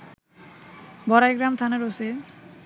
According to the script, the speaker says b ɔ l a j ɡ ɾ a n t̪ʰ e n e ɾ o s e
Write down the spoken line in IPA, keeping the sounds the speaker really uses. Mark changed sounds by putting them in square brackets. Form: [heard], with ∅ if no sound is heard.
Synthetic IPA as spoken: b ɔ [ɾ] a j ɡ ɾ a [m] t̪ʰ [a] n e ɾ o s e